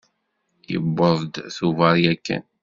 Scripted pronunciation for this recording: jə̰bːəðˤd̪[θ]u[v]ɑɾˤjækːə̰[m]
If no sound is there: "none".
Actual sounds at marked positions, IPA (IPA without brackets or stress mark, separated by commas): θ, v, n